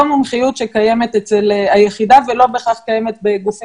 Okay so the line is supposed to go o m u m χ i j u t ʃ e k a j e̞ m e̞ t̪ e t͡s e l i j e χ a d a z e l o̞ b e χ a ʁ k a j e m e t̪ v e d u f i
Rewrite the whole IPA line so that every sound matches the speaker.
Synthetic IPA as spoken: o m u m χ i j u t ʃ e k a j e̞ m e̞ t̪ e t͡s e l a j e χ i d a v e l o̞ b e χ a χ k a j e m e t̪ b e ɡ u f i

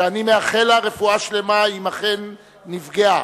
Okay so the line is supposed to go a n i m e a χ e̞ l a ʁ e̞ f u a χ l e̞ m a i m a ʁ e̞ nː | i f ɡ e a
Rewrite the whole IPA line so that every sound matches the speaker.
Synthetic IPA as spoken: a n i m e a χ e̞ l a ʁ e̞ f u a ʃ l e̞ m a i m a χ e̞ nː | i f ɡ e a

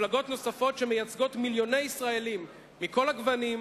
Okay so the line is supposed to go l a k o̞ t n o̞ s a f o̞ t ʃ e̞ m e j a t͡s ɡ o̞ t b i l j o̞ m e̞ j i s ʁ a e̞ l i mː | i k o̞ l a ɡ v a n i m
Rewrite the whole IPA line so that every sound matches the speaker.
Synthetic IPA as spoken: l a ɡ o̞ t n o̞ s a f o̞ t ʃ e̞ m e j a t͡s ɡ o̞ t m i l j o̞ n e̞ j i s ʁ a e̞ l i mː | i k o̞ l a ɡ v a n i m

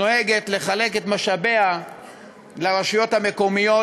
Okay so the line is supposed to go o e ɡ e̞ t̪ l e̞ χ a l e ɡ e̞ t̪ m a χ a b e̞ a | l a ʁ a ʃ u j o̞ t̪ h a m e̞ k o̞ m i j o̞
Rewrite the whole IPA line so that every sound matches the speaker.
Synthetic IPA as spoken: o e ɡ e̞ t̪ l e̞ χ a l e k e̞ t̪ m a ʃ a b e̞ a | l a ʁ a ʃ u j o̞ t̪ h a m e̞ k o̞ m i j o̞

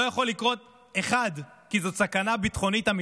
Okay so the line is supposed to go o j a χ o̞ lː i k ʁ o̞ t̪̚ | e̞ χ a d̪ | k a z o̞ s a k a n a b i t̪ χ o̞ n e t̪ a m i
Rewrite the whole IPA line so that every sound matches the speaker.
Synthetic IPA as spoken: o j a χ o̞ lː i k ʁ o̞ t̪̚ | e̞ χ a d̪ | k i z o̞ s a k a n a b i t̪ χ o̞ n i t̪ a m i

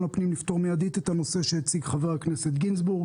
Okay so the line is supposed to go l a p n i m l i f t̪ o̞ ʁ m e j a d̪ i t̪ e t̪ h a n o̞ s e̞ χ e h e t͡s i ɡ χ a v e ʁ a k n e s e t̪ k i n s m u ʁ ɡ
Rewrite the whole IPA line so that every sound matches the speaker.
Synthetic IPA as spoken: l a p n i m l i f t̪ o̞ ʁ m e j a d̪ i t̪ e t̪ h a n o̞ s e̞ ʃ e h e t͡s i ɡ χ a v e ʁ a k n e s e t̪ ɡ i n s b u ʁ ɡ

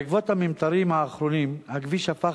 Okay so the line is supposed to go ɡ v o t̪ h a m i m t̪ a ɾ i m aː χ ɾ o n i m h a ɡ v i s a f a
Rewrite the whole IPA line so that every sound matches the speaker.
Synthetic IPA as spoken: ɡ v o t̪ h a m i m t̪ a ɾ i m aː χ ɾ o n i m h a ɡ v i ʃ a f a

